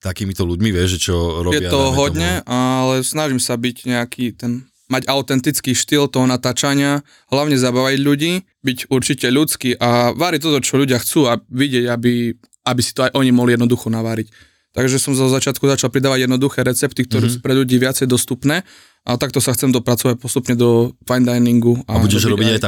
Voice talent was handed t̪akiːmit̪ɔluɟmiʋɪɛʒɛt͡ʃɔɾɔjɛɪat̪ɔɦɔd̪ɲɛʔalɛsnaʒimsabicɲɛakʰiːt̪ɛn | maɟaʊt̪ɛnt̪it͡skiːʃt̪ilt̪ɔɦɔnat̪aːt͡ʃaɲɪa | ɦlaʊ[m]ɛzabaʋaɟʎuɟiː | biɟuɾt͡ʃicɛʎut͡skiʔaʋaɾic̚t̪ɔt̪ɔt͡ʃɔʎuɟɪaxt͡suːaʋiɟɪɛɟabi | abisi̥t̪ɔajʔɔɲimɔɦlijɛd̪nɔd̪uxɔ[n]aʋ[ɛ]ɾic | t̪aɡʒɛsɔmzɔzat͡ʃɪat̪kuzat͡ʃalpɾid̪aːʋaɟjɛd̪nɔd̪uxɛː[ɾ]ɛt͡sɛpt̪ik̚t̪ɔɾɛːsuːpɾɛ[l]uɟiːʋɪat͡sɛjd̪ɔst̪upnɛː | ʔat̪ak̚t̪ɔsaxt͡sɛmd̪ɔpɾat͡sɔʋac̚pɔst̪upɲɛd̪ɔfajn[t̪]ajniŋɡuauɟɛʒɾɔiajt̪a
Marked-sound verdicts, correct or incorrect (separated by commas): incorrect, correct, incorrect, correct, incorrect, incorrect